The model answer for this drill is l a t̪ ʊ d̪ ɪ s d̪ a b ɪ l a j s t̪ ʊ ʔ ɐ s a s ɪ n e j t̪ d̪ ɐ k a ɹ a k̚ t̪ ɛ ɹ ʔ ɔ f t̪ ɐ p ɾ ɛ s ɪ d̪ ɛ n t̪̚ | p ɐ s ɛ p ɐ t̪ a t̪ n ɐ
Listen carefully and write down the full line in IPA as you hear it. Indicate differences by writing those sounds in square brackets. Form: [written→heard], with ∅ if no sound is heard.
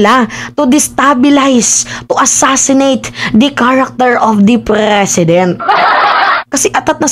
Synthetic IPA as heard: l a t̪ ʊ d̪ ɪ s [d̪→t̪] a b ɪ l a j s t̪ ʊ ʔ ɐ s a s ɪ n e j t̪ d̪ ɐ k a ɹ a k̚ t̪ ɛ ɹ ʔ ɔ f [t̪→d̪] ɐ p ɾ ɛ s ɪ d̪ ɛ n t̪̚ | [p→k] ɐ s ɛ [p→ʔ] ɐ t̪ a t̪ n ɐ